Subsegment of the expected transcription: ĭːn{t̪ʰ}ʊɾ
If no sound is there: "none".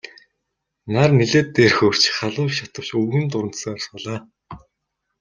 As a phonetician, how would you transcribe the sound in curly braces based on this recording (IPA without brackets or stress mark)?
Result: t̪